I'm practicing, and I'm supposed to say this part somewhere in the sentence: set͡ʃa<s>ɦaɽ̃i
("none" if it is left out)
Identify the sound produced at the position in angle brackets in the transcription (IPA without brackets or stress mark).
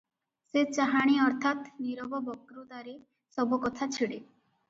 none